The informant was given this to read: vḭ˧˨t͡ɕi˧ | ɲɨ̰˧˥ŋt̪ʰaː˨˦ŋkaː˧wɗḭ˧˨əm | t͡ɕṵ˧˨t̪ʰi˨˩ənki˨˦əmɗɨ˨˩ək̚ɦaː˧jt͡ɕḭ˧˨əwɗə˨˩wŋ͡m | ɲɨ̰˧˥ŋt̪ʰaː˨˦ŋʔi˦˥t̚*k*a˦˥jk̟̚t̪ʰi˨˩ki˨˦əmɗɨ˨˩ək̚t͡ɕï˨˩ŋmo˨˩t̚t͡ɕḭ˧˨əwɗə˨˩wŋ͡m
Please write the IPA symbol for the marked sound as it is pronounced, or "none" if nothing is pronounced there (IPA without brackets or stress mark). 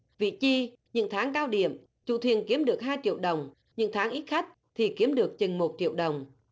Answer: x